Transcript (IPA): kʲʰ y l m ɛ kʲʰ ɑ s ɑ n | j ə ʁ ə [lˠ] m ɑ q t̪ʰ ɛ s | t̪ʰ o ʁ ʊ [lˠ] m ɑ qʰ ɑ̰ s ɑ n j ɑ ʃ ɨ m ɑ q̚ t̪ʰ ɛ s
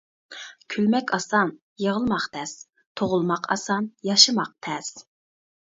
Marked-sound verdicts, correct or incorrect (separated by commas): correct, correct